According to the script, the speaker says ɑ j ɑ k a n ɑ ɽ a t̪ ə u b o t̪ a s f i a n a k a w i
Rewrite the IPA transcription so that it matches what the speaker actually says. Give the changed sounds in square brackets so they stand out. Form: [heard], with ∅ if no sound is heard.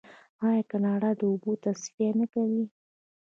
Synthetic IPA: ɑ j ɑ k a n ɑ ɽ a [d̪] ə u b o t̪ a s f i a n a k a w i